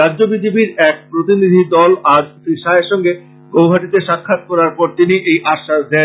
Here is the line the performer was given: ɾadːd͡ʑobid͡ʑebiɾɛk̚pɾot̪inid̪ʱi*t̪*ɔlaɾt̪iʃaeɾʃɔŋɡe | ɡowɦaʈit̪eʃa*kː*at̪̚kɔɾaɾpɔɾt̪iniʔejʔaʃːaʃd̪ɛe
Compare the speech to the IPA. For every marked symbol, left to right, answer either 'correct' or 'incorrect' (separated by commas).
incorrect, incorrect